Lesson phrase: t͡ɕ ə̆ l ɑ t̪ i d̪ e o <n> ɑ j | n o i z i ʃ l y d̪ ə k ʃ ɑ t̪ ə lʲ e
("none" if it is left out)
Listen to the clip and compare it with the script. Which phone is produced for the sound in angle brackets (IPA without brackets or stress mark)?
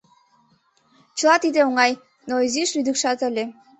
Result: ŋ